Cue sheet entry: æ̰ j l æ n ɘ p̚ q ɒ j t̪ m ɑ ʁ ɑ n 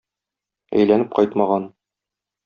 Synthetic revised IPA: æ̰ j l æ n ɘ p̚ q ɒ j t̪ m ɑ ʁ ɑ n

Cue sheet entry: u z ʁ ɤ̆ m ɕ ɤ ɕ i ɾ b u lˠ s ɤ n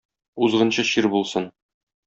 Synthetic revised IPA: u z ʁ ɤ̆ n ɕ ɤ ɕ i ɾ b u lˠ s ɤ n

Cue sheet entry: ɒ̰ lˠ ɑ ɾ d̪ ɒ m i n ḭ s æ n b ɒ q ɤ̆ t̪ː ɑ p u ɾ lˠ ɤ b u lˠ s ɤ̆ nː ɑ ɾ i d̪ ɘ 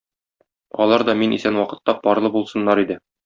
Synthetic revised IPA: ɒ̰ lˠ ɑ ɾ d̪ ɒ m i n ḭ s æ n w ɒ q ɤ̆ t̪ː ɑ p ɒ ɾ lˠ ɤ b u lˠ s ɤ̆ nː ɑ ɾ i d̪ ɘ

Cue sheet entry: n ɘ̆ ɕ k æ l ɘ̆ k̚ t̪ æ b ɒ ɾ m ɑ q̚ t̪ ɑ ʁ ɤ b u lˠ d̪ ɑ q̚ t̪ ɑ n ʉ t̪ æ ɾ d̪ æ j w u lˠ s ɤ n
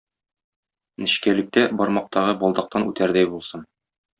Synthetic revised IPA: n ɘ̆ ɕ k æ l ɘ̆ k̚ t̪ æ b ɒ ɾ m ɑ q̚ t̪ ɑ ʁ ɤ b ɒ lˠ d̪ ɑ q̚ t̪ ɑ n ʉ t̪ æ ɾ d̪ æ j b u lˠ s ɤ n

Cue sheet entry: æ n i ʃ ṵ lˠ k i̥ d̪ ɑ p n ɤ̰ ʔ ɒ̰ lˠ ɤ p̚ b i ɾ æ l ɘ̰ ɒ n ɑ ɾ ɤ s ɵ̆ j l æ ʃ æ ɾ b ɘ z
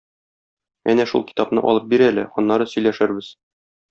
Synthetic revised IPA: æ n æ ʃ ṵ lˠ k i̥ t̪ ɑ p n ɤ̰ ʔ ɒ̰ lˠ ɤ p̚ b i ɾ æ l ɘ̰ ɒ nː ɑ ɾ ɤ s ɵ̆ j l æ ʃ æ ɾ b ɘ z

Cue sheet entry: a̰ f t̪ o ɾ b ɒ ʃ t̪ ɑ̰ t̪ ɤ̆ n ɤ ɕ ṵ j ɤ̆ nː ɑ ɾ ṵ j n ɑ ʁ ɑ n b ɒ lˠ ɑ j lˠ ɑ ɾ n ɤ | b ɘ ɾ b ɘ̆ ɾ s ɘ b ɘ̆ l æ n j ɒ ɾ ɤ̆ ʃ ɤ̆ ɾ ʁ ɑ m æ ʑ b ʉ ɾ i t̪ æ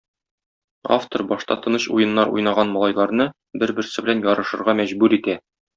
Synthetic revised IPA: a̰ f t̪ o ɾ b ɒ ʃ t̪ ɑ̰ t̪ ɤ̆ n ɤ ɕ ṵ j ɤ̆ nː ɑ ɾ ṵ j n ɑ ʁ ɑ n m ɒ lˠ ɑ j lˠ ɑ ɾ n ɤ | b ɘ ɾ b ɘ̆ ɾ s ɘ b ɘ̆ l æ n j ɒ ɾ ɤ̆ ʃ ɤ̆ ɾ ʁ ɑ m æ ʑ b ʉ ɾ i t̪ æ

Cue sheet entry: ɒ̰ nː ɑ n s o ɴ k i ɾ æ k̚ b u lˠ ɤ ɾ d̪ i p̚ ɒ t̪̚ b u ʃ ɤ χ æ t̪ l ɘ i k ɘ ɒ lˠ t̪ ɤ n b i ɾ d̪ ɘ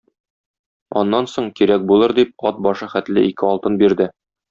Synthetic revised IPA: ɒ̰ nː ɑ n s o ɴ k i ɾ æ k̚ b u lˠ ɤ ɾ d̪ i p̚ ɒ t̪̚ b ɒ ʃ ɤ χ æ t̪ l ɘ i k ɘ ɒ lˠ t̪ ɤ n b i ɾ d̪ ɘ

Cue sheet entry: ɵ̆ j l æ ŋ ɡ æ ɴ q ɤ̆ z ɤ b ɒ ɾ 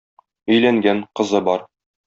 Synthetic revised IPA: ɵ̆ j l æ ŋ ɡ æ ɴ q ɤ̆ z ɤ b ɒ ɾ

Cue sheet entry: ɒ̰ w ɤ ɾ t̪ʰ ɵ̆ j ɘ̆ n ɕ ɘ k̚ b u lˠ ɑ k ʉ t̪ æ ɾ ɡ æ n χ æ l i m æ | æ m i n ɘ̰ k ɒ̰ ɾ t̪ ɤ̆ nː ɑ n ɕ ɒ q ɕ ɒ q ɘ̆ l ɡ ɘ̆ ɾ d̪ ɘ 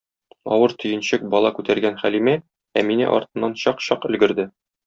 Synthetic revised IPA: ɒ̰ w ɤ ɾ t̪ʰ ɵ̆ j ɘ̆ n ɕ ɘ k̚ b ɒ lˠ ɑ k ʉ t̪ æ ɾ ɡ æ n χ æ l i m æ | æ m i n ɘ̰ ʔ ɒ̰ ɾ t̪ ɤ̆ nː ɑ n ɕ ɒ q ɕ ɒ q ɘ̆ l ɡ ɘ̆ ɾ d̪ ɘ

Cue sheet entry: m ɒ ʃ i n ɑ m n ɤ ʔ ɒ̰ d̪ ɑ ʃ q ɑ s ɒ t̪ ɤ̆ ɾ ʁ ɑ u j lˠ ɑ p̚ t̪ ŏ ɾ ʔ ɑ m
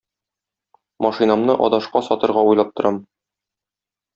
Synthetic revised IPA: m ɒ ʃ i n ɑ m n ɤ ʔ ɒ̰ d̪ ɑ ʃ q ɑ s ɒ t̪ ɤ̆ ɾ ʁ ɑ u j lˠ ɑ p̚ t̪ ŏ ɾ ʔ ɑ m

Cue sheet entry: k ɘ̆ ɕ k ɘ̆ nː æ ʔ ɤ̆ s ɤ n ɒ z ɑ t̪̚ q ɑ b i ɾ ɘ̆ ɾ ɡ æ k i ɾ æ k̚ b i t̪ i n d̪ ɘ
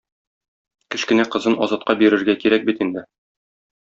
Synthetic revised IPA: k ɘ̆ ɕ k ɘ̆ n æ q ɤ̆ z ɤ n ɒ z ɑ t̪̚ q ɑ b i ɾ ɘ̆ ɾ ɡ æ k i ɾ æ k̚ b i t̪ i n d̪ ɘ

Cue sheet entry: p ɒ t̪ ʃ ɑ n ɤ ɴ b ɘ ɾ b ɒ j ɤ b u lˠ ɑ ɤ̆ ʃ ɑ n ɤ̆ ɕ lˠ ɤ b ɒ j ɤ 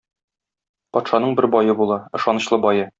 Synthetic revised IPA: p ɒ t̪ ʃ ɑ n ɤ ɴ b ɘ ɾ b ɒ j ɤ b u lˠ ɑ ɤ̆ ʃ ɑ n ɤ̆ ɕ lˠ ɤ b ɒ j ɤ

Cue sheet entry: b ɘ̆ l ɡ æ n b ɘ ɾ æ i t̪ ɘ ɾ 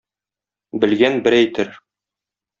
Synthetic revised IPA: b ɘ̆ l ɡ æ n b ɘ ɾ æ j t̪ ɘ ɾ

